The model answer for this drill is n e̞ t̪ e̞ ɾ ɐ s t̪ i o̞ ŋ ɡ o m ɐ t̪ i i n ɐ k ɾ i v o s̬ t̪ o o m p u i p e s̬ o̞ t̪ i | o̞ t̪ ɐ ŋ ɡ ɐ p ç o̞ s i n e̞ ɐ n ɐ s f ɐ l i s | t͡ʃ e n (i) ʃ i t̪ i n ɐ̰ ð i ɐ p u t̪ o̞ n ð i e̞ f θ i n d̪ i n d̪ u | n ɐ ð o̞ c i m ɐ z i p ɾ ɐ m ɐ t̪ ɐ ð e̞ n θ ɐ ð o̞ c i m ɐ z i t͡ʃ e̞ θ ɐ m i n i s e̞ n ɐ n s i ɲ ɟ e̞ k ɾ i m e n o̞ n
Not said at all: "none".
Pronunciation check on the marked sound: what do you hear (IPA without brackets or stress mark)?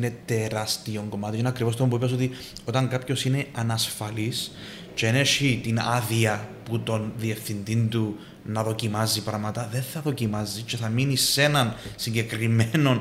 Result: e